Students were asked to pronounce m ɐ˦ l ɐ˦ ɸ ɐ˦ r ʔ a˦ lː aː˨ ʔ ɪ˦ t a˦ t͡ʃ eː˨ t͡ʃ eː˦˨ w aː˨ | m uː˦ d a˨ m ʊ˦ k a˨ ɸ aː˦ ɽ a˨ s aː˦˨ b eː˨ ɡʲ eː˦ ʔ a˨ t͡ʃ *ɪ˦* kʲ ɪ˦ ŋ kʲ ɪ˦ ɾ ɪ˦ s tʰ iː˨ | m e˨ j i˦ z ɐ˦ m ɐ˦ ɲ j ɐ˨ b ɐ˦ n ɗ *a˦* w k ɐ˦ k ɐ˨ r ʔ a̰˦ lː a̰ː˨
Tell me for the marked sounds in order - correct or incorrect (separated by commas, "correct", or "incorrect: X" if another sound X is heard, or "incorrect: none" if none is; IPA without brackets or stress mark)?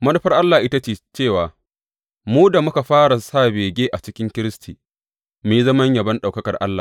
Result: correct, incorrect: a˨